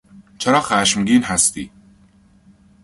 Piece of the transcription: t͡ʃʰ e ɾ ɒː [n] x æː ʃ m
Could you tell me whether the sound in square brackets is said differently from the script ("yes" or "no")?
yes